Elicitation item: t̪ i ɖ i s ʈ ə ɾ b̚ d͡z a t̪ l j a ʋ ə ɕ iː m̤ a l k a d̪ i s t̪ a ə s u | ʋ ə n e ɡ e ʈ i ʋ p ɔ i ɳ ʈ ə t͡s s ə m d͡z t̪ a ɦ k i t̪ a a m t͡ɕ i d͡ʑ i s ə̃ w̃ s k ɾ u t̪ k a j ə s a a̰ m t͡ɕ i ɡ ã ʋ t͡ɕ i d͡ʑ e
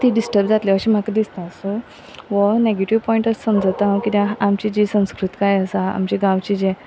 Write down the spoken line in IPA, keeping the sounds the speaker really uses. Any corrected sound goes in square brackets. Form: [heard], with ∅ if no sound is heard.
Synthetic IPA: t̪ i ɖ i s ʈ ə ɾ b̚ d͡z a t̪ l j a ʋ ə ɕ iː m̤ a [∅] k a d̪ i s t̪ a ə s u | ʋ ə n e ɡ e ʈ i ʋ p ɔ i ɳ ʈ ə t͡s s ə m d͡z t̪ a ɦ k i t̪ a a m t͡ɕ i d͡ʑ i s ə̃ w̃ s k ɾ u t̪ k a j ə s a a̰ m t͡ɕ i ɡ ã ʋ t͡ɕ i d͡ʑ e